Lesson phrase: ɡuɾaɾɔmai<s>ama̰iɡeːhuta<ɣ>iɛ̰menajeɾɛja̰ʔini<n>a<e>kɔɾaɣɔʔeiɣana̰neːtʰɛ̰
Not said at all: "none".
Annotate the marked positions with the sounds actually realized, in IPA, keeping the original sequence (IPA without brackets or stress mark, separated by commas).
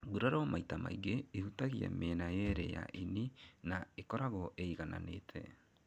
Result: t, ɣ, n, e